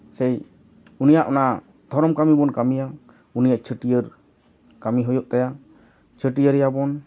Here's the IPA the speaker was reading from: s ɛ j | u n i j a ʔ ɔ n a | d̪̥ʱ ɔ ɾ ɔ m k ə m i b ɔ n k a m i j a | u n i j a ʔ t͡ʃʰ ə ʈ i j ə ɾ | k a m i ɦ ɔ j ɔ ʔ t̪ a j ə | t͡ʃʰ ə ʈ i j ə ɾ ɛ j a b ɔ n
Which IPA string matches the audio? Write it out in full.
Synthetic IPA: s ɛ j | u n i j a ʔ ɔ n a | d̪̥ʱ ɔ ɾ ɔ m k a m i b ɔ n k a m i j a | u n i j a ʔ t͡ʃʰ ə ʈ i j ə ɾ | k a m i ɦ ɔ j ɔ ʔ t̪ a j a | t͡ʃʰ ə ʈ i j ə ɾ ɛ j a b ɔ n